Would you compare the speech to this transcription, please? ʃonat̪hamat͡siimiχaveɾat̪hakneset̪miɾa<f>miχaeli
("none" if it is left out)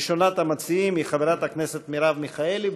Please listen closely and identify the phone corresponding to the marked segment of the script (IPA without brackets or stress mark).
v